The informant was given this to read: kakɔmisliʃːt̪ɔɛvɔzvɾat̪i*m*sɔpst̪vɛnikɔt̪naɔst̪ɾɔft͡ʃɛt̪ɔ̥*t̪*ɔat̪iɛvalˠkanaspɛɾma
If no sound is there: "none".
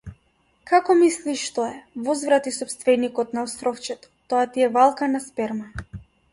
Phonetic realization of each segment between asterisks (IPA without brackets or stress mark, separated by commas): none, t̪